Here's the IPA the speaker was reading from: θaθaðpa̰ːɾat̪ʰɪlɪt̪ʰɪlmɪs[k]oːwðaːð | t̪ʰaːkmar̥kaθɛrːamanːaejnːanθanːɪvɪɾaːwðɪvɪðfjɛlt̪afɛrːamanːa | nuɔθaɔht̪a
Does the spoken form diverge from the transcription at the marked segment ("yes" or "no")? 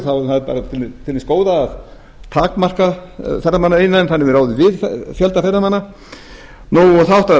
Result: no